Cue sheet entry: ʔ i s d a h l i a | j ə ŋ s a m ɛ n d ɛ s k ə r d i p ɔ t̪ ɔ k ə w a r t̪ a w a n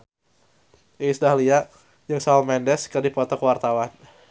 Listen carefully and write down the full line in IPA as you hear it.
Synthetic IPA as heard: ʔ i s d a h l i a | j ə ŋ s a m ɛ n d ɛ s k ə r d i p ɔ t̪ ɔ k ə w a r t̪ a w a n